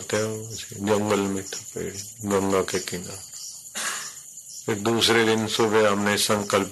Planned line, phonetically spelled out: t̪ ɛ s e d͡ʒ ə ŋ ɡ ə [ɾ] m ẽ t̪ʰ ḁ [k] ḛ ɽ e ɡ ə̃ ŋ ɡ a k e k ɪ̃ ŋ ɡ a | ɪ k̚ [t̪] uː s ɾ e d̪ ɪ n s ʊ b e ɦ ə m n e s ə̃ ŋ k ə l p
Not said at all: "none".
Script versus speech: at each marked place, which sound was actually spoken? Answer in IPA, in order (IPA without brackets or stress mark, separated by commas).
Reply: l, p, d̪